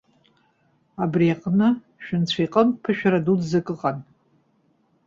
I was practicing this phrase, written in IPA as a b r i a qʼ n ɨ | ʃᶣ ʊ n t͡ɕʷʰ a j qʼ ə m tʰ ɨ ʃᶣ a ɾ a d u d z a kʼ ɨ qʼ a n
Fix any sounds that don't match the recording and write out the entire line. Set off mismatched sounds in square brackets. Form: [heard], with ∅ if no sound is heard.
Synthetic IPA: a b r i a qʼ n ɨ | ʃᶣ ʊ n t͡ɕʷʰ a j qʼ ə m [pʰ] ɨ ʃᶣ a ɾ a d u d z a kʼ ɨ qʼ a n